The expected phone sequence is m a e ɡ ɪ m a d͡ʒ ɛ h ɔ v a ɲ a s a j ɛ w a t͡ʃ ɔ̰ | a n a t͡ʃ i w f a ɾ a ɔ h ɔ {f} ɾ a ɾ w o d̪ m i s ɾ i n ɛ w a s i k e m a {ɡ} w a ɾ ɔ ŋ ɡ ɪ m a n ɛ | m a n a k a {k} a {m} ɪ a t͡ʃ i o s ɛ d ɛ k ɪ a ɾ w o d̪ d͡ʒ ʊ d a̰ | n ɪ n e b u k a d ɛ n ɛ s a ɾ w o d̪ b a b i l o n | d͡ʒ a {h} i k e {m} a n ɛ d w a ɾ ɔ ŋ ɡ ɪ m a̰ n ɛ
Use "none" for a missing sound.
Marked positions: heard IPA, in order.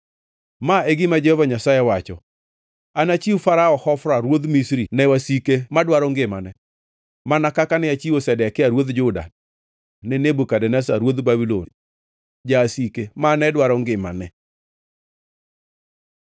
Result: f, d, k, n, s, m

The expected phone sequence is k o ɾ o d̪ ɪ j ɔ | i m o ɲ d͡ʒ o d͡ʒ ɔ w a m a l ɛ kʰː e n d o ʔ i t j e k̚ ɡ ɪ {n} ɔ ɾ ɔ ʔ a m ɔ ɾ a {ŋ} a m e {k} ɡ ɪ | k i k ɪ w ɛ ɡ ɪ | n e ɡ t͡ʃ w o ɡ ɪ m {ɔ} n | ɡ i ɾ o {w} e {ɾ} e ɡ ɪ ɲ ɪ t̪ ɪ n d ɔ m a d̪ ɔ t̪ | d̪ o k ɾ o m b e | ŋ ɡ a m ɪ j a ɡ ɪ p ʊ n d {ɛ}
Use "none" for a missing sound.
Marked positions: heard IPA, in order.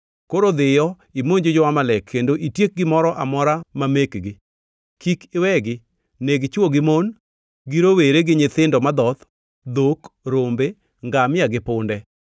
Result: m, m, k, o, w, ɾ, ɛ

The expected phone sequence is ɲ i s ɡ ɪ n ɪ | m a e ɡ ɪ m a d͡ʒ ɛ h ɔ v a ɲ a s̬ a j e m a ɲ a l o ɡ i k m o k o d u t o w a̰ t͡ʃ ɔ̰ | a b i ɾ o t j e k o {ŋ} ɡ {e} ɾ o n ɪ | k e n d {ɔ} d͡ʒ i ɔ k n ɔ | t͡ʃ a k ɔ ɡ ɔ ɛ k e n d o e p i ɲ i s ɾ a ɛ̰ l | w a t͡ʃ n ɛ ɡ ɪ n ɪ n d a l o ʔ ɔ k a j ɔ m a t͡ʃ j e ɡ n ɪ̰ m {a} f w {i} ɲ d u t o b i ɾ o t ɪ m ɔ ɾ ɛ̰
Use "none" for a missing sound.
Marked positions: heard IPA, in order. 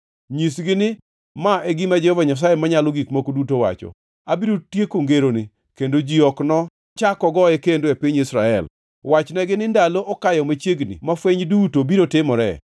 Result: ŋ, e, o, a, e

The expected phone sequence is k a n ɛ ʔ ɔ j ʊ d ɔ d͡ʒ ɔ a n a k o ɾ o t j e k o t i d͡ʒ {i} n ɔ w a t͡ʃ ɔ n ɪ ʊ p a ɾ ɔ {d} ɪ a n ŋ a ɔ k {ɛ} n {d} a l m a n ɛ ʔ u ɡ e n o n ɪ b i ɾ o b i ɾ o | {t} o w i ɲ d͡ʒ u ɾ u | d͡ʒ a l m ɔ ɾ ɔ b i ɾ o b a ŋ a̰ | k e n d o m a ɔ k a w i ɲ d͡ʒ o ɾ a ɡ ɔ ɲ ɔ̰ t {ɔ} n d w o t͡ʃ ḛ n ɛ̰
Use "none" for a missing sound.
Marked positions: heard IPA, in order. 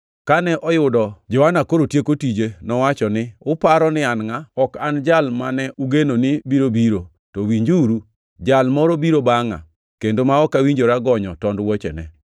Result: e, n, a, d͡ʒ, t, ɔ

